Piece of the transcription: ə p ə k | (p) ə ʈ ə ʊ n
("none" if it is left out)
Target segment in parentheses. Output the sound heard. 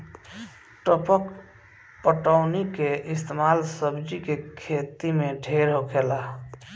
p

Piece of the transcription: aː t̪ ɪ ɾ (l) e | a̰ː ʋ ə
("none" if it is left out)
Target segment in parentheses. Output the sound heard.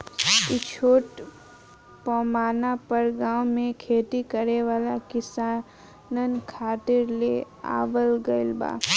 l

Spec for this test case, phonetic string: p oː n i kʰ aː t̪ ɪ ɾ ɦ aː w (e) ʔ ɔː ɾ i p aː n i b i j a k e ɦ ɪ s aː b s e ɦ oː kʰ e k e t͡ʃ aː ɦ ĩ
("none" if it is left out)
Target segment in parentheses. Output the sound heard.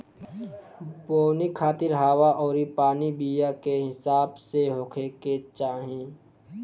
a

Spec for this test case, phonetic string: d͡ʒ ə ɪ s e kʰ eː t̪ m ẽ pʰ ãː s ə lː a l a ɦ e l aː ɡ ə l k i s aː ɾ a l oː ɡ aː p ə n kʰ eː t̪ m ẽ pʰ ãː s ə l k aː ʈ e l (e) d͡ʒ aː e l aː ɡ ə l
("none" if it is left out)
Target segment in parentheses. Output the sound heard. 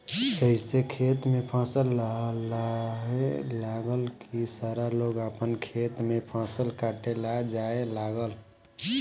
a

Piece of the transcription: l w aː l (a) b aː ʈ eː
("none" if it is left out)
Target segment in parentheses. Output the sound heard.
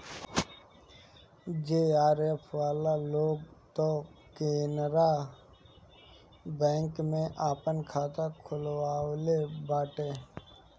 e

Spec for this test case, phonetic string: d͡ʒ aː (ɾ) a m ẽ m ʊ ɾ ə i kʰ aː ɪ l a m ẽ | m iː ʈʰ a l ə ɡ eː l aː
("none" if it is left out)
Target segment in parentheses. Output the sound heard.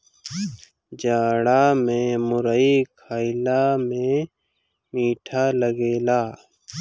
ɽ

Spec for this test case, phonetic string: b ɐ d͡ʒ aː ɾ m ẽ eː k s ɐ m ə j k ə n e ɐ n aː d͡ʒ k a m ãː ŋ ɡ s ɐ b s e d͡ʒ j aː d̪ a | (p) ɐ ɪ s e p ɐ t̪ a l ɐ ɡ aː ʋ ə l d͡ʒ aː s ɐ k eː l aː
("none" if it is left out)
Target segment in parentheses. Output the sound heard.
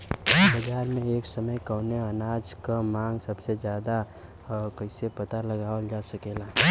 k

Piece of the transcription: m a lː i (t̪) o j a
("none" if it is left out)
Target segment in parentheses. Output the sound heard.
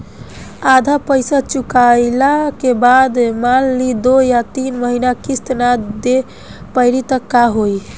d̪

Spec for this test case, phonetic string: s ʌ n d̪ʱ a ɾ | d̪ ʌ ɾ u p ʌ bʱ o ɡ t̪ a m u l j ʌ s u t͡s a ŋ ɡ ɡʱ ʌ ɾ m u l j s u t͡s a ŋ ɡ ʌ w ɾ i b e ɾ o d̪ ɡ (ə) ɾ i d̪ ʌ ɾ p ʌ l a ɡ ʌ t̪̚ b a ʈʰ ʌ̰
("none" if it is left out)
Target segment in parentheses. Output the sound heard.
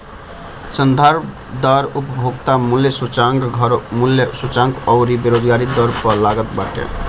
a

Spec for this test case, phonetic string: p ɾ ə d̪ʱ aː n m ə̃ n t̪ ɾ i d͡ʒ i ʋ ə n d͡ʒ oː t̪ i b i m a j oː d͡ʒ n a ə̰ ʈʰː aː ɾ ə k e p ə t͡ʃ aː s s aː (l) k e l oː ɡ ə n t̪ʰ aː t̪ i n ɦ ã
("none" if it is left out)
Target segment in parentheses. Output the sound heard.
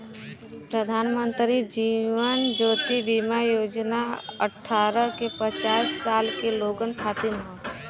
l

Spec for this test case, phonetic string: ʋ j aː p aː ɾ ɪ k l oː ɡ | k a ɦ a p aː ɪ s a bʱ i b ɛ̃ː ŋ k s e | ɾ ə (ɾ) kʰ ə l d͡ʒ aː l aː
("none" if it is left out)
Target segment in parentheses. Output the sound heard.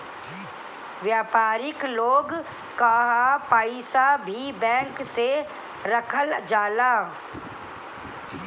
none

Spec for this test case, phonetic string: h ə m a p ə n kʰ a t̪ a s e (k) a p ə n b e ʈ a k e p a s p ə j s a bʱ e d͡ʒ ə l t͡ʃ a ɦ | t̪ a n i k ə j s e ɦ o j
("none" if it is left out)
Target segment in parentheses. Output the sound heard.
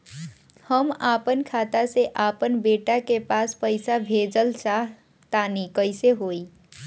ʔ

